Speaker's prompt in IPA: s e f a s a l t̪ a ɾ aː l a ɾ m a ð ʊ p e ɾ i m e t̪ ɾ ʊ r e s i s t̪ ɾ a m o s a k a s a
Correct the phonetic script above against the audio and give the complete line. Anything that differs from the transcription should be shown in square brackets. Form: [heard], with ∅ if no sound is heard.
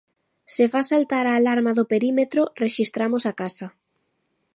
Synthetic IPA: s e f a s a l t̪ a ɾ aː l a ɾ m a ð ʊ p e ɾ i m e t̪ ɾ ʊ r e [ʃ] i s t̪ ɾ a m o s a k a s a